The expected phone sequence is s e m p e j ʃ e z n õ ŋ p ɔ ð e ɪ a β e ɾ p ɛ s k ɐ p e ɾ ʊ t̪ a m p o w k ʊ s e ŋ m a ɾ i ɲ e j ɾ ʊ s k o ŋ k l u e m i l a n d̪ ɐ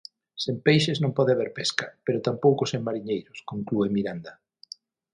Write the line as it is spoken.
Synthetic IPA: s e m p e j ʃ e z n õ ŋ p ɔ ð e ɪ a β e ɾ p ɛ s k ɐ p e ɾ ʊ t̪ a m p o w k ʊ s e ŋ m a ɾ i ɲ e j ɾ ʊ s k o ŋ k l u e m i ɾ a n d̪ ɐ